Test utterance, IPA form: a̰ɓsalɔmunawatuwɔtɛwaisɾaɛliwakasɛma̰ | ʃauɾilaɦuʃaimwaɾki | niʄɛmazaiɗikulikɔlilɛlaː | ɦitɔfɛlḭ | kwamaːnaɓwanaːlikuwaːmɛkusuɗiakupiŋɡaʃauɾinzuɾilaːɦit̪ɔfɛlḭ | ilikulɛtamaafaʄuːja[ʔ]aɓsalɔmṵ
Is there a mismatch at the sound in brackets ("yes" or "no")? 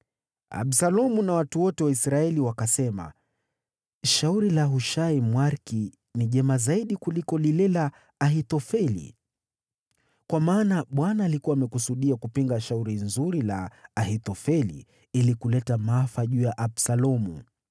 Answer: no